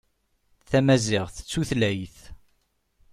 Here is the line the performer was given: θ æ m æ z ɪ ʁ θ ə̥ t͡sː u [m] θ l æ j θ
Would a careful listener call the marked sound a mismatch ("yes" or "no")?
yes